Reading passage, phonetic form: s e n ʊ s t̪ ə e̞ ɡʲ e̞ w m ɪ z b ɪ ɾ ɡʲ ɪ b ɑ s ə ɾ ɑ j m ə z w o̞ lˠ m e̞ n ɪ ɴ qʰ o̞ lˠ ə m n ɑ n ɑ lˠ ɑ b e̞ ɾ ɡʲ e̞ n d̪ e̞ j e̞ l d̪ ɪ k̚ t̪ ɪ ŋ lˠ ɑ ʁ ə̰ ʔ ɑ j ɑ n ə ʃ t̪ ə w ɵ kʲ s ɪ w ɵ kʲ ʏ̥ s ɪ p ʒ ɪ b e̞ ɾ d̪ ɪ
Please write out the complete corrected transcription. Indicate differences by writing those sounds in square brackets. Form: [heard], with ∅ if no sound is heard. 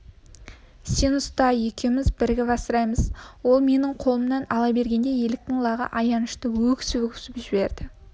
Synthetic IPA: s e n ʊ s t̪ [ɑ] e̞ [kʲ] e̞ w m ɪ z b ɪ ɾ ɡʲ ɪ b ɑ s ə ɾ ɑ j m ə z w o̞ lˠ m e̞ n ɪ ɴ qʰ o̞ lˠ ə m n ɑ n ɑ lˠ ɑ b e̞ ɾ ɡʲ e̞ n d̪ e̞ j e̞ l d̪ ɪ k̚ t̪ ɪ ŋ lˠ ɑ ʁ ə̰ ʔ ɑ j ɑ n ə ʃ t̪ ə w ɵ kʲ s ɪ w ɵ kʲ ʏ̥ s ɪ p ʒ ɪ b e̞ ɾ d̪ ɪ